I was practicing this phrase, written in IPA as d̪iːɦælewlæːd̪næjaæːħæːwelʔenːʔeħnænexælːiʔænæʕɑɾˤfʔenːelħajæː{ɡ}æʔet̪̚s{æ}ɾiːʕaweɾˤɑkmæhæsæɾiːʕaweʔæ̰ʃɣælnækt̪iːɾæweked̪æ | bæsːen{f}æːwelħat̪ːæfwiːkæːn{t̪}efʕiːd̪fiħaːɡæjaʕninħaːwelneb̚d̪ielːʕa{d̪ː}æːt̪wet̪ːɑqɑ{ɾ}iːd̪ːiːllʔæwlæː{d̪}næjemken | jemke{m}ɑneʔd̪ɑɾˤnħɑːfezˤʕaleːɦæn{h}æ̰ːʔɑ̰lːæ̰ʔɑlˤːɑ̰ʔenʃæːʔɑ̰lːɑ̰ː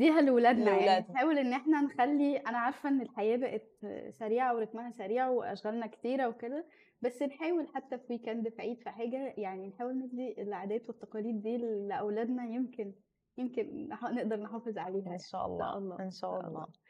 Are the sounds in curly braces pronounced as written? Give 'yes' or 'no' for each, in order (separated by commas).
no, yes, no, no, no, no, yes, no, no